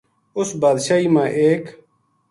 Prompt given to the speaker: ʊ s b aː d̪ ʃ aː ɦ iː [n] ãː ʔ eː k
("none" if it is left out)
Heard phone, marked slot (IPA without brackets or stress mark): m